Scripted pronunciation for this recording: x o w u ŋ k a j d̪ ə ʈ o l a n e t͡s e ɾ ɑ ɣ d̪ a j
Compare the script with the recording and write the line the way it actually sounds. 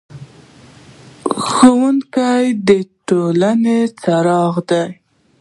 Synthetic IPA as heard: x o w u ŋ k a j d̪ ə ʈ o l a n e t͡s a ɾ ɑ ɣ d̪ a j